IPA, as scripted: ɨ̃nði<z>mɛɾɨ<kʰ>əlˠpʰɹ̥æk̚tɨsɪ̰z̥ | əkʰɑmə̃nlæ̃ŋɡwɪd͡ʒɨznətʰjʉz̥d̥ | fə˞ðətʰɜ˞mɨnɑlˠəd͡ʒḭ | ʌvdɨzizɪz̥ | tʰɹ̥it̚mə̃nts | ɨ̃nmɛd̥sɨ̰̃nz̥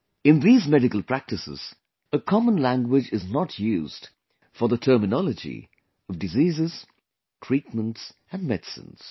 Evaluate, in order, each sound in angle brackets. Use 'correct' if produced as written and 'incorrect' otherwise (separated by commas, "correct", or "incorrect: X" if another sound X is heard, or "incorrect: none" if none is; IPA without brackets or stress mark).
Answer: correct, incorrect: k